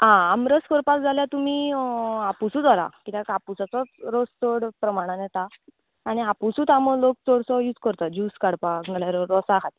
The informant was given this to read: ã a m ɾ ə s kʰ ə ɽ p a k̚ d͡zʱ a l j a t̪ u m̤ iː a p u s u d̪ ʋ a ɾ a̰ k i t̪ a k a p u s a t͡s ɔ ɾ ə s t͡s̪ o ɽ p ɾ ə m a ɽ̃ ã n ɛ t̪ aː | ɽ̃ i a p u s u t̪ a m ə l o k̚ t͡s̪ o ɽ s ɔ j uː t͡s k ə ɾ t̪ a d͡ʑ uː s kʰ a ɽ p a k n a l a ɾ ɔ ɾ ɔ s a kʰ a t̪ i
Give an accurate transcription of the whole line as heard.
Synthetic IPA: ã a m ɾ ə s k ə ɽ p a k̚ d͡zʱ a l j a t̪ u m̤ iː a p u s u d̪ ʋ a ɾ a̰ k i t̪ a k a p u s a t͡s ɔ ɾ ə s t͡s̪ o ɽ p ɾ ə m a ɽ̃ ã n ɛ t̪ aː | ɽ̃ i a p u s u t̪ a m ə l o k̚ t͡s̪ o ɽ s ɔ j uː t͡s k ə ɾ t̪ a d͡ʑ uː s k a ɽ p a k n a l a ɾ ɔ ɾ ɔ s a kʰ a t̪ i